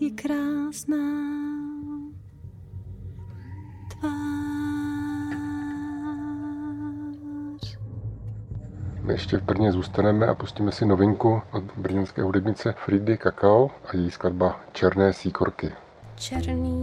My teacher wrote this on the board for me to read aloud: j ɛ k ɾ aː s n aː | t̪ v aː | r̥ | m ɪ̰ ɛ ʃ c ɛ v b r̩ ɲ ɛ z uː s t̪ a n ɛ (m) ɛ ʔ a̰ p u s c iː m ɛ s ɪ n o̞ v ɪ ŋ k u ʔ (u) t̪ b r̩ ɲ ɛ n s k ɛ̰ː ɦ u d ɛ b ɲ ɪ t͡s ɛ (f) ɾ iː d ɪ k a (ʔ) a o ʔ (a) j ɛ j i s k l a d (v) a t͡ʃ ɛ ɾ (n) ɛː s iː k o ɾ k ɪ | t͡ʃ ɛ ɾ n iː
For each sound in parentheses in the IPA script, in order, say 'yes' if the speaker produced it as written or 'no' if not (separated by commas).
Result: yes, no, yes, no, yes, no, yes